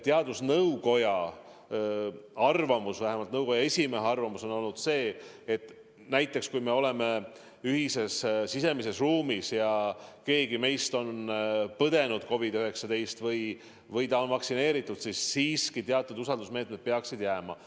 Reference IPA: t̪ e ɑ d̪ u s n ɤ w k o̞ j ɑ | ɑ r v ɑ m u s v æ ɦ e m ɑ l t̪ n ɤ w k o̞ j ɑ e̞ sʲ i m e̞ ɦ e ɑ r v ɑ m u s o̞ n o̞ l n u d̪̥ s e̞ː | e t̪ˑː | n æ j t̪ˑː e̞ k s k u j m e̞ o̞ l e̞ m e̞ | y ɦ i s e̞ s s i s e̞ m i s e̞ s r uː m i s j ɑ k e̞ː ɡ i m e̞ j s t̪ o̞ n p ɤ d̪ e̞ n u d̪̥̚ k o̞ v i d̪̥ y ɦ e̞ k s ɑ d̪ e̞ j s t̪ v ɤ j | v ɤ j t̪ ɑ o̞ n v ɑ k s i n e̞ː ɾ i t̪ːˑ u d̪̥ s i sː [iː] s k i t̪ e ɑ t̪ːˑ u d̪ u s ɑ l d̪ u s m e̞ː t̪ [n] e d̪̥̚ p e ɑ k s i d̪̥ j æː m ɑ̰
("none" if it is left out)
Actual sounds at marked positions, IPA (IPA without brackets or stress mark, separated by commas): iː, m